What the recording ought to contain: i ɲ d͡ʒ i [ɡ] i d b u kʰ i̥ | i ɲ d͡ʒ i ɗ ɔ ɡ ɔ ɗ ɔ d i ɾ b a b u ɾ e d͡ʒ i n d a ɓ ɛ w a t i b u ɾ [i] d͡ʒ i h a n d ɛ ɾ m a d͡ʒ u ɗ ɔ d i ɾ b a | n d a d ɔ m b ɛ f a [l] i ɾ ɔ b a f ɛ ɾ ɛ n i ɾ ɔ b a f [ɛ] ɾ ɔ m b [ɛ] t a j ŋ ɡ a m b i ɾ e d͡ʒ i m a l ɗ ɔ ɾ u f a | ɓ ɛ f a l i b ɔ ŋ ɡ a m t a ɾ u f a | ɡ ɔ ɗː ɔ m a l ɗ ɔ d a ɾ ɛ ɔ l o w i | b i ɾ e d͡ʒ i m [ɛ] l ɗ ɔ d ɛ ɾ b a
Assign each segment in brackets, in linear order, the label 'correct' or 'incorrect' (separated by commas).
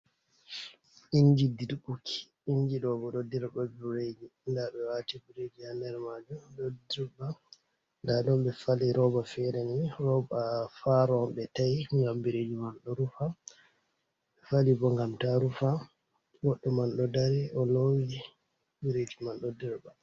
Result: incorrect, incorrect, correct, incorrect, correct, incorrect